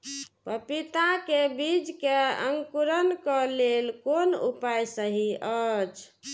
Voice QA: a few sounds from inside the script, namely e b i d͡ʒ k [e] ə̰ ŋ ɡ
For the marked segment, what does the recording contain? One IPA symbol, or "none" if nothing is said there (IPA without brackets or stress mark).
e